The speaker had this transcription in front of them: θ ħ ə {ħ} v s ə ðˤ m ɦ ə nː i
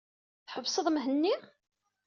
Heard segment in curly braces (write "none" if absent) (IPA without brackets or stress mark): none